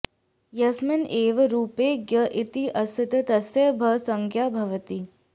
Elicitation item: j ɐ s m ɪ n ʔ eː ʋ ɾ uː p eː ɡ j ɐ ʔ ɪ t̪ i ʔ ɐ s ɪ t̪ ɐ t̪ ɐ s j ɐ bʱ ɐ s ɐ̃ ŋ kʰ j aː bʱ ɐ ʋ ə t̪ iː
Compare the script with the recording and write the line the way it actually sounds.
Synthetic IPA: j ɐ s m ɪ n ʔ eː ʋ ɾ uː p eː ɡ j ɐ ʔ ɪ t̪ i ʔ ɐ s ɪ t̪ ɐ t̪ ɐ s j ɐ bʱ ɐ s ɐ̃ ŋ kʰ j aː bʱ ɐ ʋ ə t̪ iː